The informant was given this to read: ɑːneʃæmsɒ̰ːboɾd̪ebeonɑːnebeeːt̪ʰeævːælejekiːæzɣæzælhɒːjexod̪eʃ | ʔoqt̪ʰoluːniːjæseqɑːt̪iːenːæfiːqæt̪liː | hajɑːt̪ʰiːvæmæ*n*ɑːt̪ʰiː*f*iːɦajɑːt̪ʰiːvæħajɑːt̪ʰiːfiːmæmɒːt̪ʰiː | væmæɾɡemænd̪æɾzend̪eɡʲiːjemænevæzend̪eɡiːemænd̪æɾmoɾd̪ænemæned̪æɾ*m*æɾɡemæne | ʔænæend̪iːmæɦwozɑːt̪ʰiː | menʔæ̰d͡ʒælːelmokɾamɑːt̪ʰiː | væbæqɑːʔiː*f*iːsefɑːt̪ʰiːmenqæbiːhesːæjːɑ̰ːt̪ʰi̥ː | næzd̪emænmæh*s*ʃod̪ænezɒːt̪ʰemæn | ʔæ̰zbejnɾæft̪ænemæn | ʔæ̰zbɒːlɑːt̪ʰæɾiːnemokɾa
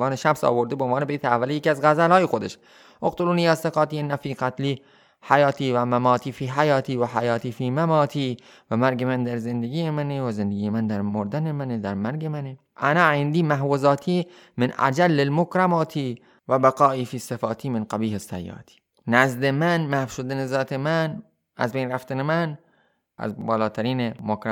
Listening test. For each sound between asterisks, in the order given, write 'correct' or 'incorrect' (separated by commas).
incorrect, correct, correct, correct, incorrect